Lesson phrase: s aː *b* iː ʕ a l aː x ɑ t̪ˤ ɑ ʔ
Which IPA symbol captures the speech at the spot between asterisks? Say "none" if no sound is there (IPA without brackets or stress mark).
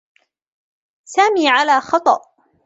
m